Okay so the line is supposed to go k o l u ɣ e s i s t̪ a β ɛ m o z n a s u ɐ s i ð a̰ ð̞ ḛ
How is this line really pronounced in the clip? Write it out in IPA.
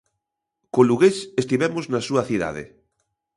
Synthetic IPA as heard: k o l u ɣ e s e s t̪ i β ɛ m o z n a s u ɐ θ i ð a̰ ð̞ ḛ